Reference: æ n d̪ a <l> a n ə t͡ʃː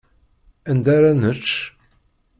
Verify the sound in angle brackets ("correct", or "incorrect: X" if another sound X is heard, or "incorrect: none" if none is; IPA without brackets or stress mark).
incorrect: ɾ